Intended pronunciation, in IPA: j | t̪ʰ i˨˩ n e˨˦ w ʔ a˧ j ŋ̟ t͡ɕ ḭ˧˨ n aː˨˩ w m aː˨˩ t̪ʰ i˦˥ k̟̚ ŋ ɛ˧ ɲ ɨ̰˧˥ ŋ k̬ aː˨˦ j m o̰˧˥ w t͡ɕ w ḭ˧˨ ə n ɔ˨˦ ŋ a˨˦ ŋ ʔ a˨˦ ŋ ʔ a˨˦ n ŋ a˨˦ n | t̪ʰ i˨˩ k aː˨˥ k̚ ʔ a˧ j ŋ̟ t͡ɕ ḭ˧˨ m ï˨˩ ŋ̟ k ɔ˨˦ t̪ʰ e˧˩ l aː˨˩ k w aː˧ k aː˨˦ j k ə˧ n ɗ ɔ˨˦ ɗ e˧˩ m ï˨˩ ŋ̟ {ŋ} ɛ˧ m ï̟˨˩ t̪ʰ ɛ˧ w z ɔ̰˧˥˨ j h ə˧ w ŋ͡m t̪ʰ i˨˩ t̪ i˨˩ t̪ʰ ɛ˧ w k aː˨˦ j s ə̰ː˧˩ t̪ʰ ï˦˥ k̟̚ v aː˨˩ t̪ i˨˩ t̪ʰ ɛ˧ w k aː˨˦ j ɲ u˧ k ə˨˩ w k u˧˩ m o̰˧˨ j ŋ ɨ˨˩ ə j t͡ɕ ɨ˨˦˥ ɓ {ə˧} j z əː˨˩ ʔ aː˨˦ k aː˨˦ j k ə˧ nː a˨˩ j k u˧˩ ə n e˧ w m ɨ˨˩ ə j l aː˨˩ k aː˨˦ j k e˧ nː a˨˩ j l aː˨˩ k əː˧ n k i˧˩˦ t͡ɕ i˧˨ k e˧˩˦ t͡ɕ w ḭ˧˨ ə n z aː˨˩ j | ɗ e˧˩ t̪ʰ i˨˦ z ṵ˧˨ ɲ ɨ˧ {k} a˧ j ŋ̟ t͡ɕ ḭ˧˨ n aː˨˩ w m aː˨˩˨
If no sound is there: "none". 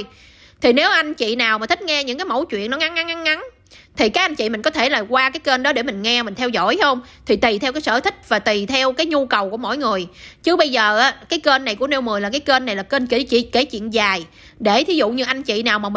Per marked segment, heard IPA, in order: ŋ, ə˧, ʔ

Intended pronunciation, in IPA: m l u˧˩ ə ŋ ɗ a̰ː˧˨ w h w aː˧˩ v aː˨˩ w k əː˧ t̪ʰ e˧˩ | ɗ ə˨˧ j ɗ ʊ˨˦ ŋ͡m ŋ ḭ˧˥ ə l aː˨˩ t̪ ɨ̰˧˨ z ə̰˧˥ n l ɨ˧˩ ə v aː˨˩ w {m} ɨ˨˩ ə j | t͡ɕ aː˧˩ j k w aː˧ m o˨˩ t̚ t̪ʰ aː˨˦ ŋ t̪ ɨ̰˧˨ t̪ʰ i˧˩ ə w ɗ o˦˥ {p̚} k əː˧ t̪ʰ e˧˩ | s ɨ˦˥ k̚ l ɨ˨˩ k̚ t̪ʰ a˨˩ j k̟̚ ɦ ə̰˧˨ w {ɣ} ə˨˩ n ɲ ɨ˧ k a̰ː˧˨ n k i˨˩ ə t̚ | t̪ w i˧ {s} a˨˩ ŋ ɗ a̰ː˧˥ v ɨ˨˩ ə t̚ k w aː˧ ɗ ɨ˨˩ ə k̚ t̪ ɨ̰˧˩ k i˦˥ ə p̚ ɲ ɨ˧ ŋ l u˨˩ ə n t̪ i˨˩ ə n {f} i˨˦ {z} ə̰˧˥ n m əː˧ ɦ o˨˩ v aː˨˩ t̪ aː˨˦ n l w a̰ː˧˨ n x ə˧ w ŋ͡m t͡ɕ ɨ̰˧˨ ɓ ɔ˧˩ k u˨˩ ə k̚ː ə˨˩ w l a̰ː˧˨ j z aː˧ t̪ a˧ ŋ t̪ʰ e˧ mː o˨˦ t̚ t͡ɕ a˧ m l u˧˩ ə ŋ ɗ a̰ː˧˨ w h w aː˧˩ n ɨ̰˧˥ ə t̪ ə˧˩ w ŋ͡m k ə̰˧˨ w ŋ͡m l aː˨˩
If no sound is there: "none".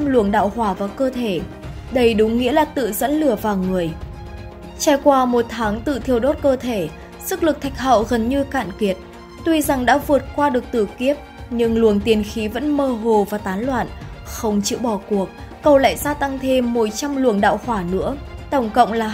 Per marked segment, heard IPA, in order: ŋ, t̚, ɣ, z, x, v

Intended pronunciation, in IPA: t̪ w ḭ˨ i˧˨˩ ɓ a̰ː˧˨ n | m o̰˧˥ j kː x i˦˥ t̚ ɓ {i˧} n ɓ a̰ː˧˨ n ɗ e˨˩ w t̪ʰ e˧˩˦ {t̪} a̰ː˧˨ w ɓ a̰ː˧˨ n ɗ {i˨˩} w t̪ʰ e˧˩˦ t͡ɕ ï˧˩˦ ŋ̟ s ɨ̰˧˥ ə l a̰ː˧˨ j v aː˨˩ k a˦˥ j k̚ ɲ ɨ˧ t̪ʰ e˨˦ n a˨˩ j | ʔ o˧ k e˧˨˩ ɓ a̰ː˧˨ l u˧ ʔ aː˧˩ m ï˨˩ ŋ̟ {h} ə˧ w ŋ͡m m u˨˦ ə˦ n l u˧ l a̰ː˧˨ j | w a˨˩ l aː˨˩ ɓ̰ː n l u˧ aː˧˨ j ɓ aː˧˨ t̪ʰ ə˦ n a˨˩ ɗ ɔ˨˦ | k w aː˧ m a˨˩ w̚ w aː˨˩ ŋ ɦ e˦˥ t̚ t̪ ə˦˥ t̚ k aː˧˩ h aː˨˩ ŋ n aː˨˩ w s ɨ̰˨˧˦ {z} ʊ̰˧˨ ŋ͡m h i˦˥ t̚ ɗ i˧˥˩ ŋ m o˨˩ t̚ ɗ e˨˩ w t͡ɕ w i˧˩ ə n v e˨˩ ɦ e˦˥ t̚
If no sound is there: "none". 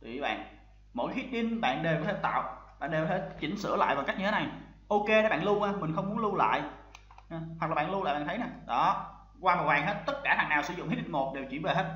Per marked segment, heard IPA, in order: i˧, t̪, e˨˩, x, z

